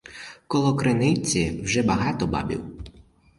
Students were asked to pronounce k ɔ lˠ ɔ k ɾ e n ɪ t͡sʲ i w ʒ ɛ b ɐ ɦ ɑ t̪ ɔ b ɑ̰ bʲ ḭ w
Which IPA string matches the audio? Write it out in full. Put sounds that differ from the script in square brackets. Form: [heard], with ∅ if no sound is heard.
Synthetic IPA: k ɔ lˠ ɔ k ɾ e n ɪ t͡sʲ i w ʒ ɛ b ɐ ɦ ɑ t̪ ɔ b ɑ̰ bʲ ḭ w